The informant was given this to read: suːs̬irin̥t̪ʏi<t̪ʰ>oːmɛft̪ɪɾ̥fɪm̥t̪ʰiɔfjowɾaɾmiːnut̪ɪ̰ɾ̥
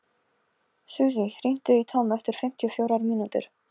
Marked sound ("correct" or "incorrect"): correct